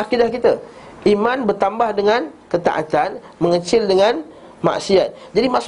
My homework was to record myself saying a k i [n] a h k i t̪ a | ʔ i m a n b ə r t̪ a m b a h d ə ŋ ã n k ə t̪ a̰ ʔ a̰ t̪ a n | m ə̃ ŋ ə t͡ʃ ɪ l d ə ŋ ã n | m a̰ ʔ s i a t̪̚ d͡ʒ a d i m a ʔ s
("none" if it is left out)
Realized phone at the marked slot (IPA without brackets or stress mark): d